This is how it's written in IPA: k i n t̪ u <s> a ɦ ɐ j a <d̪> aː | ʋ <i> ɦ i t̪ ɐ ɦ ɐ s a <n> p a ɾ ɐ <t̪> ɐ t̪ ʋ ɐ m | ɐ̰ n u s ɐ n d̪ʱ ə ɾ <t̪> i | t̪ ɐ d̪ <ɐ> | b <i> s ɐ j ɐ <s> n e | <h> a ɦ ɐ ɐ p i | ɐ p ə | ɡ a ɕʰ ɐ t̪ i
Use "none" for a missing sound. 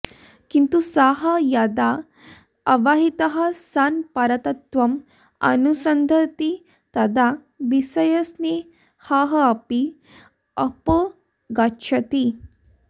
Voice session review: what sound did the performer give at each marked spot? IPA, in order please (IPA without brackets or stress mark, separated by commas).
s, d̪, a, n, t̪, t̪, a, i, s, h